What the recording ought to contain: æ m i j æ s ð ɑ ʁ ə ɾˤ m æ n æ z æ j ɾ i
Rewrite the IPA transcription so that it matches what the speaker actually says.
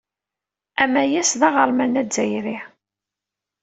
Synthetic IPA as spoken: æ m æ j æ s ð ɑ ʁ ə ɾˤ m æ n æ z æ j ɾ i